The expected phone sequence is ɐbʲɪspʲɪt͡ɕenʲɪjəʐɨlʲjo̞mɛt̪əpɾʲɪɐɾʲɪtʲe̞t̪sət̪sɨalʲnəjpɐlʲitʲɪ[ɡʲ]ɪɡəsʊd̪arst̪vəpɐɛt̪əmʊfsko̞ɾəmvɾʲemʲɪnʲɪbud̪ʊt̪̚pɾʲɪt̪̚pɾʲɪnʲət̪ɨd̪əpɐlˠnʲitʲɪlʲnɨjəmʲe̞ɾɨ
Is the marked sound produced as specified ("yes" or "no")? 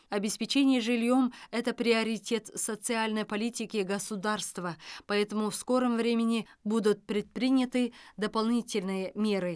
no